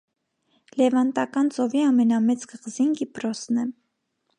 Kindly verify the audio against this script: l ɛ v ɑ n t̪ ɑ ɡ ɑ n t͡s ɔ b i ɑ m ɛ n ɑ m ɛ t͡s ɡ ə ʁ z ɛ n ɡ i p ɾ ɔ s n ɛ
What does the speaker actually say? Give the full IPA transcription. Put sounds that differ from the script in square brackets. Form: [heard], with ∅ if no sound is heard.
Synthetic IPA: l ɛ v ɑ n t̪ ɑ [k] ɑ n t͡s ɔ [v] i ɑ m ɛ n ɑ m ɛ t͡s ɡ ə ʁ z [i] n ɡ i p ɾ ɔ s n ɛ

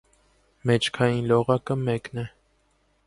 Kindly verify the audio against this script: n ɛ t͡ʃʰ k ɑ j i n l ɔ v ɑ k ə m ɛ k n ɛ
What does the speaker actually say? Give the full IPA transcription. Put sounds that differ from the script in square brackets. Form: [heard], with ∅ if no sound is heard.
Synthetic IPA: [m] ɛ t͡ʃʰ [kʰ] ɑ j i n l ɔ [ʁ] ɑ k ə m ɛ k n ɛ

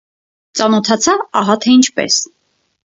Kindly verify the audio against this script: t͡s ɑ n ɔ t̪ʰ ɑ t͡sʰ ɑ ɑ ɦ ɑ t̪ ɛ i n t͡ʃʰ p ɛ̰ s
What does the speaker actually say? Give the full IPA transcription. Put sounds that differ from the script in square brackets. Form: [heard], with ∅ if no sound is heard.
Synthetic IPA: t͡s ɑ n ɔ t̪ʰ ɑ t͡sʰ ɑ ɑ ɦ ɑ [t̪ʰ] ɛ i n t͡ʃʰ p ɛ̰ s

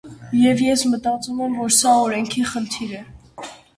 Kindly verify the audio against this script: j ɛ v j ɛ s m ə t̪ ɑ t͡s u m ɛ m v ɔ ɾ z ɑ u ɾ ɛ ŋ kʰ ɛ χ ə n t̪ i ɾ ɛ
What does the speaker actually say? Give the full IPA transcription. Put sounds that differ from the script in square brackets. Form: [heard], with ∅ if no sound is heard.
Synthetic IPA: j ɛ v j ɛ s m ə t̪ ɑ t͡s u m ɛ m v ɔ ɾ [s] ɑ [ɔ] ɾ ɛ ŋ kʰ [i] χ ə n [t̪ʰ] i ɾ ɛ

